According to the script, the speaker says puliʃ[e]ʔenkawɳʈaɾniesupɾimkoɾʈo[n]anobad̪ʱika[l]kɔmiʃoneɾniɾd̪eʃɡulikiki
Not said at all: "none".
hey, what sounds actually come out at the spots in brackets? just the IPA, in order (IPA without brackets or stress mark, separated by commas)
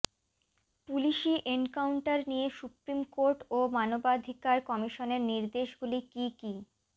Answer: i, m, ɾ